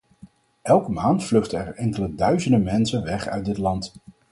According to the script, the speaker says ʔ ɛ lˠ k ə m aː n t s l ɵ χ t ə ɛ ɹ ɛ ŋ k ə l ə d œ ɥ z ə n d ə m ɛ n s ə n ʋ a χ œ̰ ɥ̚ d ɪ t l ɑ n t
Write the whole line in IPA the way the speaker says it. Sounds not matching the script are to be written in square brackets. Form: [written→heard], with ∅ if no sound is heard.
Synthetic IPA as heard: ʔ ɛ lˠ k ə m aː n t [s→f] l ɵ χ t ə ɛ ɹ ɛ ŋ k ə l ə d œ ɥ z ə n d ə m ɛ n s ə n ʋ [a→ɛ] χ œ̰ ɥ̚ d ɪ t l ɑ n t